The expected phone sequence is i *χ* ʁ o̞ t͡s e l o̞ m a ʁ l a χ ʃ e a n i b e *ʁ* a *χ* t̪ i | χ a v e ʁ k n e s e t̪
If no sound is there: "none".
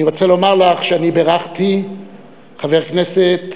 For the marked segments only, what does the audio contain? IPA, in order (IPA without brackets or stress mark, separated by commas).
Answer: none, ʁ, χ